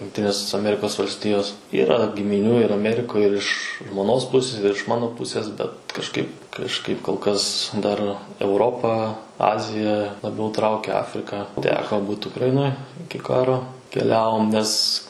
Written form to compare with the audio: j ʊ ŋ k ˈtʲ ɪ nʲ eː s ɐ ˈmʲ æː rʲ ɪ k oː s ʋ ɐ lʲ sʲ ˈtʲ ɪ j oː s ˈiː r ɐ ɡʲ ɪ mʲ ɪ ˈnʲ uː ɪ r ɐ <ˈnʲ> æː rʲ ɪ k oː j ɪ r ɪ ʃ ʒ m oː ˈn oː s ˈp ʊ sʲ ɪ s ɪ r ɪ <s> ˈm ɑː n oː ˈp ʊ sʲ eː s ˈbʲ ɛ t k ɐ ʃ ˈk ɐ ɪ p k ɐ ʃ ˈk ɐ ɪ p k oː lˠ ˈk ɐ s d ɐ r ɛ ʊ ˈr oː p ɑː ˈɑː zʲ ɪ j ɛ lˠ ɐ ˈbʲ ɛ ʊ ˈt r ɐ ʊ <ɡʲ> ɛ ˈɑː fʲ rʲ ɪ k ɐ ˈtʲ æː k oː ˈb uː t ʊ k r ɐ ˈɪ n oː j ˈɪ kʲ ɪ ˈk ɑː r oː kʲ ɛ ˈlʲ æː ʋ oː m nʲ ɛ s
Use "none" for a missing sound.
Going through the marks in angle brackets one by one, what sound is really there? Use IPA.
mʲ, ʃ, kʲ

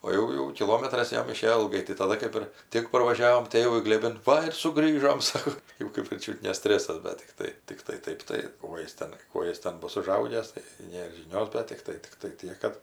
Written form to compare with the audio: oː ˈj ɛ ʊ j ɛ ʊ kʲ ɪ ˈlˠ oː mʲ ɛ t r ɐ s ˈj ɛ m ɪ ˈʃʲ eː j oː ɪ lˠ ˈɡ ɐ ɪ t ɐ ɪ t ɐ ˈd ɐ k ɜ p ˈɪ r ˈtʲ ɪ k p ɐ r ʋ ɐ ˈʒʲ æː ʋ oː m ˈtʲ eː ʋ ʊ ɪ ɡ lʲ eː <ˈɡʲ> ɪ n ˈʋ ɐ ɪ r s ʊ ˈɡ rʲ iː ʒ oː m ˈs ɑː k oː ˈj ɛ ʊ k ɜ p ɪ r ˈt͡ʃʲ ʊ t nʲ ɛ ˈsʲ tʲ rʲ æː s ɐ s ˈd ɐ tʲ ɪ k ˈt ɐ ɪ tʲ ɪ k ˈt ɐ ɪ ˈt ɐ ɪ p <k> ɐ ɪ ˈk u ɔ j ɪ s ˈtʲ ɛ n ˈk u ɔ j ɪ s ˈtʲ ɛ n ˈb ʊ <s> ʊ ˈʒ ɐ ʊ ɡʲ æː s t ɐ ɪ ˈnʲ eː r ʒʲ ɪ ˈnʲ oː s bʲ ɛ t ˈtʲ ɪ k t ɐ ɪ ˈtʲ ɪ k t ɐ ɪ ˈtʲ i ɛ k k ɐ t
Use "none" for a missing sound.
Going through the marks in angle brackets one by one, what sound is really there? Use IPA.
bʲ, t, s

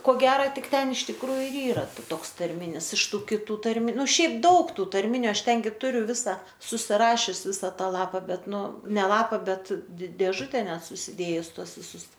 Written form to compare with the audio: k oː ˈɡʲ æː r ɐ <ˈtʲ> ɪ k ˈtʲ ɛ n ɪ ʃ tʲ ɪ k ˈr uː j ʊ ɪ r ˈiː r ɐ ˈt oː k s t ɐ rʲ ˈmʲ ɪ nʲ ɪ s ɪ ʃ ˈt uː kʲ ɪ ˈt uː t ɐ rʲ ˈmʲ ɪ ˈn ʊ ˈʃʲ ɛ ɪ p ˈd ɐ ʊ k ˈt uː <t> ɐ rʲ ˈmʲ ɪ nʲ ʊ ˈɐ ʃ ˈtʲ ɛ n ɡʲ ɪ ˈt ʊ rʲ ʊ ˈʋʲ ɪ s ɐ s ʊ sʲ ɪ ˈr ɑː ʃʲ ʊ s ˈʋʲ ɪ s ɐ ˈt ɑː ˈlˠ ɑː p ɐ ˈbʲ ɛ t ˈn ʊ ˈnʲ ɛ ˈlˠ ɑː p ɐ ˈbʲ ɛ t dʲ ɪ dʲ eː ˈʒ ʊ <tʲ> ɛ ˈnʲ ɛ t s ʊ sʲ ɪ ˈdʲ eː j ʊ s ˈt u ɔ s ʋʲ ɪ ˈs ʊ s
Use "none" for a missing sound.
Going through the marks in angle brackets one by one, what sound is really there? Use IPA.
tʲ, t, tʲ

